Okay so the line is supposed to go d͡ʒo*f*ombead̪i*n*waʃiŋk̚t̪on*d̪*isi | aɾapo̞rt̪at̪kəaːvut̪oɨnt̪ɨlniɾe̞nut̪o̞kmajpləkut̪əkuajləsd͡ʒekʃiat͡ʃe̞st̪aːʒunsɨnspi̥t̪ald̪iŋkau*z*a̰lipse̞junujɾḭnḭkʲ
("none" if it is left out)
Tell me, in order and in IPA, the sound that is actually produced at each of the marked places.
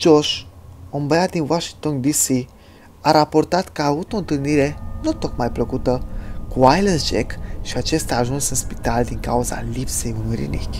ʃ, n, d̪, z

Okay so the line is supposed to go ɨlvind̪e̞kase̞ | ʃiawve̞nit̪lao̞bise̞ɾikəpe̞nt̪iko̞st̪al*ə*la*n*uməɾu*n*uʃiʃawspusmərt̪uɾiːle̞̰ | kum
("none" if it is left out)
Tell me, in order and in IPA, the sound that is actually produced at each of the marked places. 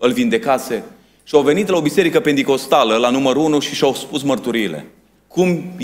ə, n, n

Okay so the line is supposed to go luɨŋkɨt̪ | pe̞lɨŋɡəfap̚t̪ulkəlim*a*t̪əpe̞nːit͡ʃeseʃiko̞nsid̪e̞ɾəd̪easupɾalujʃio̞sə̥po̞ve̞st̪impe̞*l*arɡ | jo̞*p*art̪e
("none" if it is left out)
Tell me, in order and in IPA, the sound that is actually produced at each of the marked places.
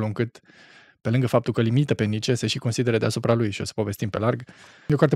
i, l, k

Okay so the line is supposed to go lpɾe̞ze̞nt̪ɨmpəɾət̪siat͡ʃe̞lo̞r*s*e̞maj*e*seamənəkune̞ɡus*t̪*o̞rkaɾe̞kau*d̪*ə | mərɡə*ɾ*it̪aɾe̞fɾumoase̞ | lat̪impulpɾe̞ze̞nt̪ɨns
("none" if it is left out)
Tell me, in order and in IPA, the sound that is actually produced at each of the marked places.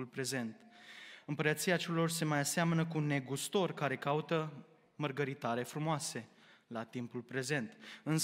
s, a, t̪, t̪, ɾ

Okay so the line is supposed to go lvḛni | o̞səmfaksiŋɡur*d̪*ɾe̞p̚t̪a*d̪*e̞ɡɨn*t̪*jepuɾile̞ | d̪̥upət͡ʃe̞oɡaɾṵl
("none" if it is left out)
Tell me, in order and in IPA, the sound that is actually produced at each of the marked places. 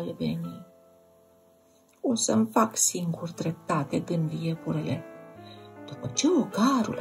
d̪, t̪, d̪

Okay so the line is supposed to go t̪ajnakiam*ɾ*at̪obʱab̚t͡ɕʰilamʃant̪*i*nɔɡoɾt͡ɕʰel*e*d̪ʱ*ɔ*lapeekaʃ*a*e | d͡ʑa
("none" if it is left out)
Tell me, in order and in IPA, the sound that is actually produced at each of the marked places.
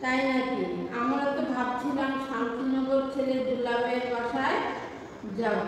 ɾ, i, e, u, a

